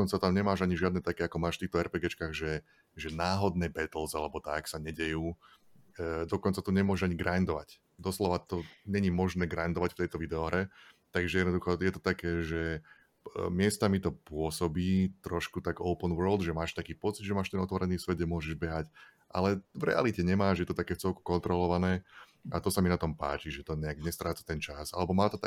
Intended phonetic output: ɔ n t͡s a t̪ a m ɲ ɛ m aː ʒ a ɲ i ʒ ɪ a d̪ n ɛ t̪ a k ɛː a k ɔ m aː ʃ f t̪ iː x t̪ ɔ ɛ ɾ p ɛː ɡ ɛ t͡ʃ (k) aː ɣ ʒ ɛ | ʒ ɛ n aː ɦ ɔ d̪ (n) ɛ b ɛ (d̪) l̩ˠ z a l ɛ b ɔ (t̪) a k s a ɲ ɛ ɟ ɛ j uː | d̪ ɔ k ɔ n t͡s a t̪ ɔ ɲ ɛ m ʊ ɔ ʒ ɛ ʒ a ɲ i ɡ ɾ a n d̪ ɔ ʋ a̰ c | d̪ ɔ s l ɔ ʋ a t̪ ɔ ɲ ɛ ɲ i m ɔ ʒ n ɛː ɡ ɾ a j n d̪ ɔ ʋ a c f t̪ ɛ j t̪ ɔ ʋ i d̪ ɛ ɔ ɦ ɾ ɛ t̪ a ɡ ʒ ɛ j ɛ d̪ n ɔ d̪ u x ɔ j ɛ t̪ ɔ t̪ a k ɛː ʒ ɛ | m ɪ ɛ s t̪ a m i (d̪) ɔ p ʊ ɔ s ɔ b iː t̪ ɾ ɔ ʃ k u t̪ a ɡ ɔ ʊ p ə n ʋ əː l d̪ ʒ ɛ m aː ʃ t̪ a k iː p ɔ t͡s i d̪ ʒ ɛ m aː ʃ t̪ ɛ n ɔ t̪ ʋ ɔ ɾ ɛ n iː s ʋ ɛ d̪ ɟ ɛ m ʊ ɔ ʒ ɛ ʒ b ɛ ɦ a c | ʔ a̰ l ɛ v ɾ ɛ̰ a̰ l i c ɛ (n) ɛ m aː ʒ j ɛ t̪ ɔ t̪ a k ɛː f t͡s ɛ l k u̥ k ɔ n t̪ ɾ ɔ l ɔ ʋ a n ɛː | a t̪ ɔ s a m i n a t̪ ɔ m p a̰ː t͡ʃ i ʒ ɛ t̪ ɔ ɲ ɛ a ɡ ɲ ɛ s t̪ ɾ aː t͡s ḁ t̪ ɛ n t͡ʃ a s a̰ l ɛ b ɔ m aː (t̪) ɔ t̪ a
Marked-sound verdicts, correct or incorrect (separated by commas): correct, correct, incorrect, correct, incorrect, incorrect, correct